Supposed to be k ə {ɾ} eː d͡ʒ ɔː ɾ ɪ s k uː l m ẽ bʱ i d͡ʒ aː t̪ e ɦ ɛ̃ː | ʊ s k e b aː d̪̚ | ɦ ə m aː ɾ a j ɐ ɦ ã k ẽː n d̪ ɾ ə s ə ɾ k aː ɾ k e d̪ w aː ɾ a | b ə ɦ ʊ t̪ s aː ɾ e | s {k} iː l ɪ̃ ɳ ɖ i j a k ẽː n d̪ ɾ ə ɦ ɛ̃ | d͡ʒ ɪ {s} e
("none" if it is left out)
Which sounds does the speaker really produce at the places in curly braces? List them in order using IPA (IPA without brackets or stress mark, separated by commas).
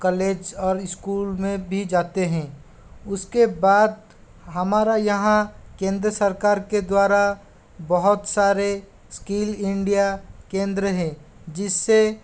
l, k, sː